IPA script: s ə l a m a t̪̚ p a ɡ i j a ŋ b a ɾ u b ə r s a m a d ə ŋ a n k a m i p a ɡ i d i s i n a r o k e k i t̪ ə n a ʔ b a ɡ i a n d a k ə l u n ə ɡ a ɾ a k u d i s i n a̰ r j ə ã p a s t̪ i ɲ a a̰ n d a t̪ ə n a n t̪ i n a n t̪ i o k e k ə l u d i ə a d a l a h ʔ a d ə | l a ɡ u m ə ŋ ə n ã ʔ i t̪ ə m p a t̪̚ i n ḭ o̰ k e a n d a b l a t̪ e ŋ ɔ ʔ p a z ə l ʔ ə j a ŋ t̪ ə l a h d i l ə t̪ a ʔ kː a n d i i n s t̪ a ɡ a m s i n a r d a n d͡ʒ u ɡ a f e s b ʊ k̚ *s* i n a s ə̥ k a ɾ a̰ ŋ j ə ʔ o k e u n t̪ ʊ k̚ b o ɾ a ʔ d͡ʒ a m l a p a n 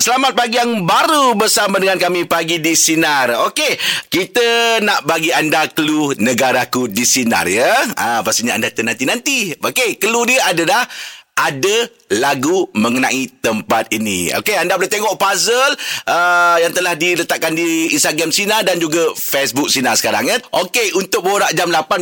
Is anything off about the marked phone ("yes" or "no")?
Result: no